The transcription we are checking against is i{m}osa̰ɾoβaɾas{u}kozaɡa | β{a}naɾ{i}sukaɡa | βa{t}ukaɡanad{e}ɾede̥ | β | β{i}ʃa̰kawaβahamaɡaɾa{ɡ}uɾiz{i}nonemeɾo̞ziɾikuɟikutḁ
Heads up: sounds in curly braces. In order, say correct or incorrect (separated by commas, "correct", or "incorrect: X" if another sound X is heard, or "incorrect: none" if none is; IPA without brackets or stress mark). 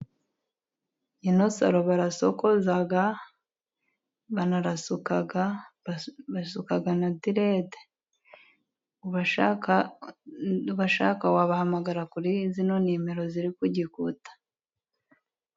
incorrect: n, incorrect: o, correct, incorrect: a, incorrect: s, incorrect: i, incorrect: a, incorrect: k, correct